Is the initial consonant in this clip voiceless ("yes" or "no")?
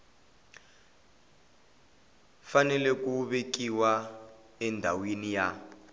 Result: yes